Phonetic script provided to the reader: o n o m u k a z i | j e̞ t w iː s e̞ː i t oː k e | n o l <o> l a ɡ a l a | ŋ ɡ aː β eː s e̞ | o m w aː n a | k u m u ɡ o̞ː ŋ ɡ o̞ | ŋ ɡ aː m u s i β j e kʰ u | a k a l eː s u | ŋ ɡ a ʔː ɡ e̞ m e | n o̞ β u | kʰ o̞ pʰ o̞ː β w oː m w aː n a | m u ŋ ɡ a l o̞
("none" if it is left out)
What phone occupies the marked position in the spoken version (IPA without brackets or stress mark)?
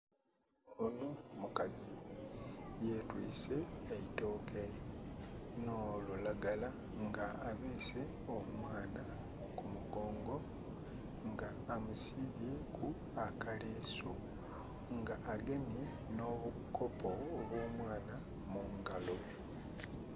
u